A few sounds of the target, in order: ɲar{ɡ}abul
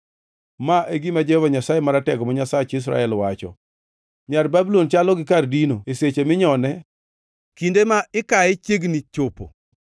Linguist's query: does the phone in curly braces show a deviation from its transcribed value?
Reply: yes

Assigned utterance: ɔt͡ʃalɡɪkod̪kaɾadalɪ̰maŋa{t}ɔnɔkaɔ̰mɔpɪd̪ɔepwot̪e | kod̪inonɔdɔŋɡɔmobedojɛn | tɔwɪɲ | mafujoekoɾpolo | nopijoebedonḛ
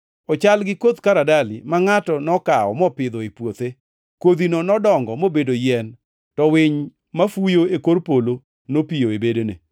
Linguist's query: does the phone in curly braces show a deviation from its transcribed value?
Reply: no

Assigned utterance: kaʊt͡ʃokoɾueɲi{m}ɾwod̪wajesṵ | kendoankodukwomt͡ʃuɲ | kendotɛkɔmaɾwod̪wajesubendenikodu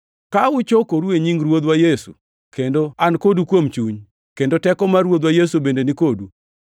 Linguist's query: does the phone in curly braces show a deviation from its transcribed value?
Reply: yes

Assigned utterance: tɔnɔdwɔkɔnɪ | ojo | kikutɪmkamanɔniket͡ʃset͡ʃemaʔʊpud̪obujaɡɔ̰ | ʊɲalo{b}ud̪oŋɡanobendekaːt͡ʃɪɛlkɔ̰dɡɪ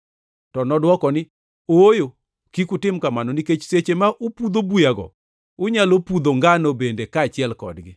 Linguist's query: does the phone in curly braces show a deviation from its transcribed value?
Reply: yes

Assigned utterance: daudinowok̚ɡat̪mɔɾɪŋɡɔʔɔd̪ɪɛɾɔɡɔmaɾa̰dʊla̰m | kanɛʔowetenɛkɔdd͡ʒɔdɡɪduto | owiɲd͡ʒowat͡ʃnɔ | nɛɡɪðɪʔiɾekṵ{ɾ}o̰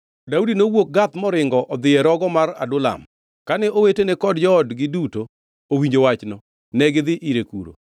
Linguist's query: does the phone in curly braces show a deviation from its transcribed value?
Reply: no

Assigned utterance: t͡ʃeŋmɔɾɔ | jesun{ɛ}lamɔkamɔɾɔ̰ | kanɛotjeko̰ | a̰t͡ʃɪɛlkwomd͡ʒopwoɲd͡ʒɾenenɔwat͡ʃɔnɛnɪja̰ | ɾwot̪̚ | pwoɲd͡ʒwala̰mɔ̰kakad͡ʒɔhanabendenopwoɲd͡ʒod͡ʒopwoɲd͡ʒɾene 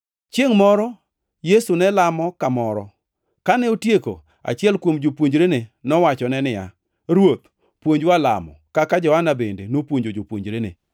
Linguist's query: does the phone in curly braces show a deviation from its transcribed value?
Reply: no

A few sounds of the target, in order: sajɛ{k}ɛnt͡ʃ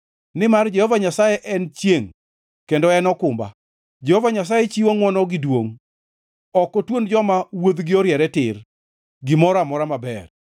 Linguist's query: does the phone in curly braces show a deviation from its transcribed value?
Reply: yes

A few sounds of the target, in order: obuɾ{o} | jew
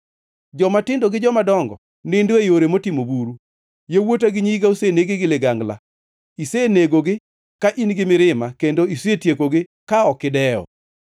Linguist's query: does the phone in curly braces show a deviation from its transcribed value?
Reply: yes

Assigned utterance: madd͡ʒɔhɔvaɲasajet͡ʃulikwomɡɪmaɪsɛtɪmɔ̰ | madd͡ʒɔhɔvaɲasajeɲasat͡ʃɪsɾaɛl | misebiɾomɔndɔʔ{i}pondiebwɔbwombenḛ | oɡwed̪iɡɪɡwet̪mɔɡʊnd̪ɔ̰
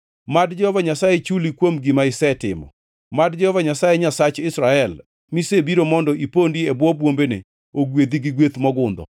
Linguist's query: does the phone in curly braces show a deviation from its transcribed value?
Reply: no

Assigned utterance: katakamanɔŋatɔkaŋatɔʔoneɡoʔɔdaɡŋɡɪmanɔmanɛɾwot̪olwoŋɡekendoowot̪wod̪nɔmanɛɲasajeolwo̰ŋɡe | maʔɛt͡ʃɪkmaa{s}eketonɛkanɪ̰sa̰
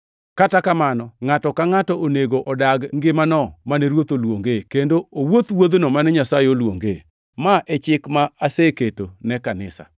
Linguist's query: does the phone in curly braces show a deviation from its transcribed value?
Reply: no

